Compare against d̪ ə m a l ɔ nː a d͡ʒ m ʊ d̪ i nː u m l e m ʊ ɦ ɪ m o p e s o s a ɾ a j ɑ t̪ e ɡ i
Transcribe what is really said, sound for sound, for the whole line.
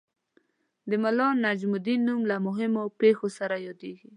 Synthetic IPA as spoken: d̪ ə m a l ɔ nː a d͡ʒ m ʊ d̪ i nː u m l a m ʊ ɦ ɪ m o p e x o s a ɾ a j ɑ d̪ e ɡ i